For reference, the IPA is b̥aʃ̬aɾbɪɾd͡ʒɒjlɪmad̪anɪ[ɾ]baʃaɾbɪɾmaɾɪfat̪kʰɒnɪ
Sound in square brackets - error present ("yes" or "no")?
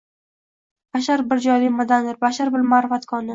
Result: no